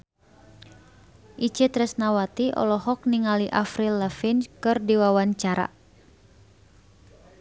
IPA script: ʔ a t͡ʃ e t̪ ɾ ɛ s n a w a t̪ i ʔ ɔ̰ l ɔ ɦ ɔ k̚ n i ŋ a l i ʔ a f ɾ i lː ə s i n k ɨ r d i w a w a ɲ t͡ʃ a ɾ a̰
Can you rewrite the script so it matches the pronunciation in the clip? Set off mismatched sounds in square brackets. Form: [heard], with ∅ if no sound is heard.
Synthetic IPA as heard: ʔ [i] t͡ʃ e t̪ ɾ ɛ s n a w a t̪ i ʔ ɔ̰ l ɔ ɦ ɔ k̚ n i ŋ a l i ʔ a f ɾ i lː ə [f] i n k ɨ r d i w a w a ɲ t͡ʃ a ɾ a̰